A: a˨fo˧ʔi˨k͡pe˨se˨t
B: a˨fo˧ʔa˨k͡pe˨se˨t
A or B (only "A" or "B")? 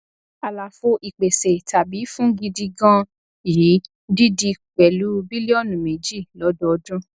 A